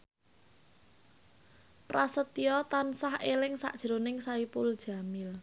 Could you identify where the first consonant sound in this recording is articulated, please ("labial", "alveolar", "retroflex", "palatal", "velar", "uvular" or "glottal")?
labial